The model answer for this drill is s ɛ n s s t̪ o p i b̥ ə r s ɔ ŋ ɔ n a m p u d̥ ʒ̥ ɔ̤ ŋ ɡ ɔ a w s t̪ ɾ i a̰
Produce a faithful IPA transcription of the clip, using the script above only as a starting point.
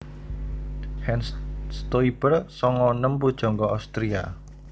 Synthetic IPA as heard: h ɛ n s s t̪ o i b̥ ə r s ɔ ŋ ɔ n ə m p u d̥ ʒ̥ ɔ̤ ŋ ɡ ɔ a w s t̪ ɾ i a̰